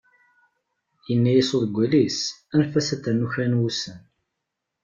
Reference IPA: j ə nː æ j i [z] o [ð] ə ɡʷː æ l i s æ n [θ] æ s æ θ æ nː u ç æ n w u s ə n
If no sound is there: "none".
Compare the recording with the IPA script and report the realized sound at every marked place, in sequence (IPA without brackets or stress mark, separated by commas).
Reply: s, ð, f